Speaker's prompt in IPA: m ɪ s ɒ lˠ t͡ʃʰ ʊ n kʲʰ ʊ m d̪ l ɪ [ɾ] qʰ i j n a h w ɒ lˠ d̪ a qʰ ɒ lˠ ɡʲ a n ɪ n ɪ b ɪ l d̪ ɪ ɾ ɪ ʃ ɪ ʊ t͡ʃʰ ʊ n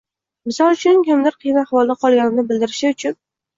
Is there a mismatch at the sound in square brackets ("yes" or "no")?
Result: no